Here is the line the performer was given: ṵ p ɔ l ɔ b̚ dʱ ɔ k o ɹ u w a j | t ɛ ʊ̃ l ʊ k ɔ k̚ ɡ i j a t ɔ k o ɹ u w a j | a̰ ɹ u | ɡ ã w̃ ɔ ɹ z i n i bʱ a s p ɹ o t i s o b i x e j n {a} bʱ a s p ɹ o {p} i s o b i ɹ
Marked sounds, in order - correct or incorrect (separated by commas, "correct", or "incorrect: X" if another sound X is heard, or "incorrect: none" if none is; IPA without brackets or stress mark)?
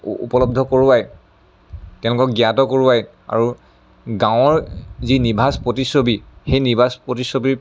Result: incorrect: i, incorrect: t